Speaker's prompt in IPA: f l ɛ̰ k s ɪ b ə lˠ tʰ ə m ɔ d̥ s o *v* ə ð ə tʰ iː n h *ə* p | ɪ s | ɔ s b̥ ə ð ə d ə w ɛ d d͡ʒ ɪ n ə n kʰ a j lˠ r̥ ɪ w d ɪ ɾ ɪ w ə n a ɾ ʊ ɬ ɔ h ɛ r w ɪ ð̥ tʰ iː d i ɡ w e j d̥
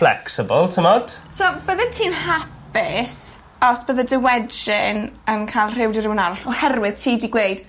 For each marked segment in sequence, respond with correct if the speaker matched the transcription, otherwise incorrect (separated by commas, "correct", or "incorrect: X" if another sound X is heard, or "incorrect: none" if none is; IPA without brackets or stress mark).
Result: incorrect: b, incorrect: a